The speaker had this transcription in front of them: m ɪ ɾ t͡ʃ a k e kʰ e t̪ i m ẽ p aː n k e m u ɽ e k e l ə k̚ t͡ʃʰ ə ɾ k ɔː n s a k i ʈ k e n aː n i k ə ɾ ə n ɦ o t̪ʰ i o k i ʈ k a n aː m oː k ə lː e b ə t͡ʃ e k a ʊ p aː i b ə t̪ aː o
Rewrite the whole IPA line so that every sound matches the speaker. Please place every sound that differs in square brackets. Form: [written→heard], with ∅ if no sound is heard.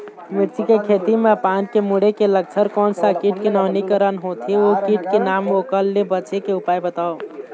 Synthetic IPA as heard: m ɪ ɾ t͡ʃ [a→i] k e kʰ e t̪ i m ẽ p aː n k e m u ɽ e k e l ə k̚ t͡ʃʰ ə ɾ k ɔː n s a k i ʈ k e n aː n i k ə ɾ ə n ɦ o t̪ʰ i o k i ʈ k [a→e] n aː m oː k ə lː e b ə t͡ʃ e k [a→e] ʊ p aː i b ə t̪ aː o

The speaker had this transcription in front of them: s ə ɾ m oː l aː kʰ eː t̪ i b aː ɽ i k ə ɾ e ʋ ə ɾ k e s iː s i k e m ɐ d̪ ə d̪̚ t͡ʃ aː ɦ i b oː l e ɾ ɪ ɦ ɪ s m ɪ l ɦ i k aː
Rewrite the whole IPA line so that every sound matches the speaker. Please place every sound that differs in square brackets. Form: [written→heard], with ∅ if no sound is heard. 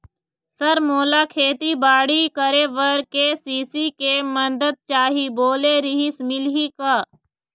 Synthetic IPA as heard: s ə ɾ m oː l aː kʰ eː t̪ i b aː ɽ i k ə ɾ e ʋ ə ɾ k e s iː s i k e m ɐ d̪ ə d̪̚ t͡ʃ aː ɦ i b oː l e ɾ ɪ ɦ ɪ s m ɪ l ɦ i k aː

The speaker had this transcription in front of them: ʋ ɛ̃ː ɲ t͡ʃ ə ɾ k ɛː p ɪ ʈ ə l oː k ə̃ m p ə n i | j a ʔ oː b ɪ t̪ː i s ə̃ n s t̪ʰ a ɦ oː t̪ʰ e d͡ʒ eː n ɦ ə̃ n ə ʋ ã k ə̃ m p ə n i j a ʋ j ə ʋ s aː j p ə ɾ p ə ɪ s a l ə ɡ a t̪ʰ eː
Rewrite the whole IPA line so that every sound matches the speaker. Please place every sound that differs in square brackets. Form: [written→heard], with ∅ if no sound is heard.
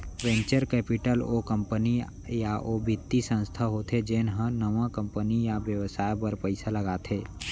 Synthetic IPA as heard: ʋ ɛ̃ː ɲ t͡ʃ ə ɾ k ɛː p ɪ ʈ ə l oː k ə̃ m p ə n i | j a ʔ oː b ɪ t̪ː i s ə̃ n s t̪ʰ a ɦ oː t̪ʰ e d͡ʒ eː n ɦ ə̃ n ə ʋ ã k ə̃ m p ə n i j a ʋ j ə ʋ s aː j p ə ɾ p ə ɪ s a l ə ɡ a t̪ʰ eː

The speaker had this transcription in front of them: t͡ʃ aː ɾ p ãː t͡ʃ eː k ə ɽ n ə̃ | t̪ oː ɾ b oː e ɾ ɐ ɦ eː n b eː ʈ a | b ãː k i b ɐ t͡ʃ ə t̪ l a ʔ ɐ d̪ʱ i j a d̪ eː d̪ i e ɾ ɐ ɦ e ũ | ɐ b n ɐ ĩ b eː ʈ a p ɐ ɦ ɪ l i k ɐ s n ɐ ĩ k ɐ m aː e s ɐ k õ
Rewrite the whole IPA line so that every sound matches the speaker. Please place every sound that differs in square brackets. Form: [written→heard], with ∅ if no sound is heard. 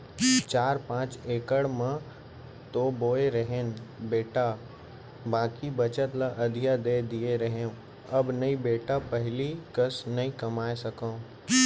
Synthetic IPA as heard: t͡ʃ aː ɾ p ãː t͡ʃ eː k ə ɽ [n→m] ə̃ | t̪ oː [ɾ→∅] b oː e ɾ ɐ ɦ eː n b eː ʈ a | b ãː k i b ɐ t͡ʃ ə t̪ l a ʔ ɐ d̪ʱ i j a d̪ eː d̪ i e ɾ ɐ ɦ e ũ | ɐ b n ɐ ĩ b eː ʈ a p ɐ ɦ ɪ l i k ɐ s n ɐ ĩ k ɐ m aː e s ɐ k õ

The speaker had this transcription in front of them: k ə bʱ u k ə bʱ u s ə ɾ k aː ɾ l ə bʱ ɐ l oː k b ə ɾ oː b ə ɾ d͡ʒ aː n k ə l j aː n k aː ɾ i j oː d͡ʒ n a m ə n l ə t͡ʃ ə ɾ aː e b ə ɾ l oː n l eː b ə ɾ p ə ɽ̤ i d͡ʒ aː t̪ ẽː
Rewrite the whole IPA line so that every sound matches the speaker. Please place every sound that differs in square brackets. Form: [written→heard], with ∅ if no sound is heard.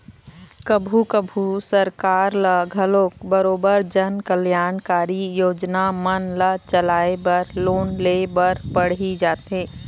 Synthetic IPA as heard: k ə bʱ u k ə bʱ u s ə ɾ k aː ɾ l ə [bʱ→ɡʱ] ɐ l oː k b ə ɾ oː b ə ɾ d͡ʒ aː n k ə l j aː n k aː ɾ i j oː d͡ʒ n a m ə n l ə t͡ʃ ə [ɾ→l] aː e b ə ɾ l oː n l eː b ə ɾ p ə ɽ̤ i d͡ʒ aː t̪ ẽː

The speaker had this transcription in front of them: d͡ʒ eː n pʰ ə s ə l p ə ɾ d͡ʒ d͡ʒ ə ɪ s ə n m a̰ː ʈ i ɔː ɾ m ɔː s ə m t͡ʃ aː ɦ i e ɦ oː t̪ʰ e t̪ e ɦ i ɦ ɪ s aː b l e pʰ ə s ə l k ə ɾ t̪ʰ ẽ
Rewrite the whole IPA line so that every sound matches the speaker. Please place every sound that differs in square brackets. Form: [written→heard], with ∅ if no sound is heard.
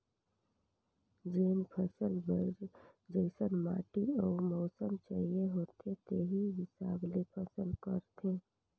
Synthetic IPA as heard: d͡ʒ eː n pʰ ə s ə l [p→b] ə ɾ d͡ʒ d͡ʒ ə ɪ s ə n m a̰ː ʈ i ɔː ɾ m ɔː s ə m t͡ʃ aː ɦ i e ɦ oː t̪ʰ e t̪ e ɦ i ɦ ɪ s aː b l e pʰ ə s ə l k ə ɾ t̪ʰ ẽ

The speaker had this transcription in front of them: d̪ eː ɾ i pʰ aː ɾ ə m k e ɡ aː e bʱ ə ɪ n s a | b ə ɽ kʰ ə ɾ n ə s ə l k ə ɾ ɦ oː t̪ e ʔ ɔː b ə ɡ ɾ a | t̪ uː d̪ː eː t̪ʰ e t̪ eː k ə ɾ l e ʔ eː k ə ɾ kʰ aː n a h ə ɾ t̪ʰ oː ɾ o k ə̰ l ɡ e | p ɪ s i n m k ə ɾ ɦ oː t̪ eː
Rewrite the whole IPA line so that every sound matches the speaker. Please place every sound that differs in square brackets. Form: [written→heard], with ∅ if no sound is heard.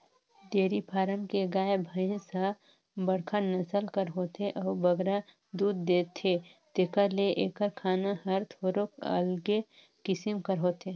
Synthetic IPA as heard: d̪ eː ɾ i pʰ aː ɾ ə m k e ɡ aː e bʱ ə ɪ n s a | b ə ɽ kʰ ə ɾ n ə s ə l k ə ɾ ɦ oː t̪ e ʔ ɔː b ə ɡ ɾ a | [t̪→d̪] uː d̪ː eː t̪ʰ e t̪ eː k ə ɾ l e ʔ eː k ə ɾ kʰ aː n a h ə ɾ t̪ʰ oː ɾ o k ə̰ l ɡ e | [p→k] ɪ s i [n→∅] m k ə ɾ ɦ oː t̪ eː

